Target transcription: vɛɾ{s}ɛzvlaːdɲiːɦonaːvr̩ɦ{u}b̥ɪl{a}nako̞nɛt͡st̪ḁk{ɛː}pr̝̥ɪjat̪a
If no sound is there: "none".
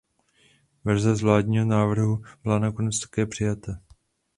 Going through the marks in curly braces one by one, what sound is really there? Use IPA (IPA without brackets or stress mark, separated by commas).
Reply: z, u, a, ɛː